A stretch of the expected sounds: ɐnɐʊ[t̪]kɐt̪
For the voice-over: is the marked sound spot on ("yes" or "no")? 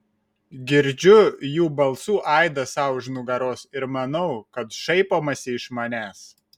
no